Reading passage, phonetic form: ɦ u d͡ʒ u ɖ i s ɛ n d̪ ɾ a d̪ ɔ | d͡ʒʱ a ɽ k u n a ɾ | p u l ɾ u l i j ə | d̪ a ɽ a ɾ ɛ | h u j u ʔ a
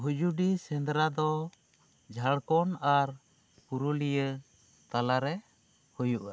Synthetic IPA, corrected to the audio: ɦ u d͡ʒ u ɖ i s ɛ n d̪ ɾ a d̪ ɔ | d͡ʒʱ a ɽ k ɔ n a ɾ | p u ɾ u l i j ə | t̪ a l a ɾ ɛ | h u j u ʔ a